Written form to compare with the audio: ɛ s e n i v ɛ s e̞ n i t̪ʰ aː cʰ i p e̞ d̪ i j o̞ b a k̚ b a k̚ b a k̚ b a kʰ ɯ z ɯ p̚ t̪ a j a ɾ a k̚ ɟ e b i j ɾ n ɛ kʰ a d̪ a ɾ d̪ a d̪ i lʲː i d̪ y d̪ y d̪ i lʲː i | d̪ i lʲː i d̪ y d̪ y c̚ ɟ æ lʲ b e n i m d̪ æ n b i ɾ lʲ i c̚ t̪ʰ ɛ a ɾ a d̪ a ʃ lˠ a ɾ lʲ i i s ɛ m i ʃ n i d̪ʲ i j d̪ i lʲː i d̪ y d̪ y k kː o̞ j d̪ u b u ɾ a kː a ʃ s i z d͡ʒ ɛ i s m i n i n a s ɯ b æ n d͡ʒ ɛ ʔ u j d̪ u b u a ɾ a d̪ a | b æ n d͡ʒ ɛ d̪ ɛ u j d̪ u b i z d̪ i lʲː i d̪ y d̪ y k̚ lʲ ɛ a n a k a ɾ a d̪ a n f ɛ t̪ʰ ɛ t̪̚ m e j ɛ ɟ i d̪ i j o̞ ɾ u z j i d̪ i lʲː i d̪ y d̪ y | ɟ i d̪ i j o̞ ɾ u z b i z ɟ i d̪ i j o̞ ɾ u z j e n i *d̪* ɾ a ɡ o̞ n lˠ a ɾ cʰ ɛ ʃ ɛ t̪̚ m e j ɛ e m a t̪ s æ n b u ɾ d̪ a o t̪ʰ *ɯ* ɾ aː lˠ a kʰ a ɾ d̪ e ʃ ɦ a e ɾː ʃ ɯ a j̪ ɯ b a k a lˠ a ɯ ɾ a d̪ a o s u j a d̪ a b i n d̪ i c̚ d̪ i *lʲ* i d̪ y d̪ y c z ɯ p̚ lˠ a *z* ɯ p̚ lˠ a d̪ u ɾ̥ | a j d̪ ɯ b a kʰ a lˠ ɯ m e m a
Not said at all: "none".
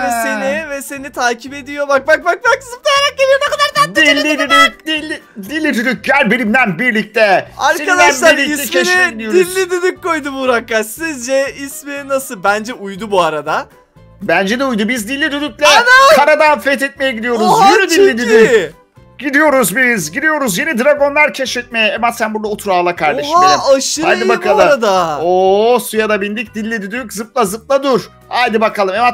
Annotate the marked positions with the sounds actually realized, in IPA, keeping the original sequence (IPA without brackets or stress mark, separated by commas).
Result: d̪, u, lʲː, z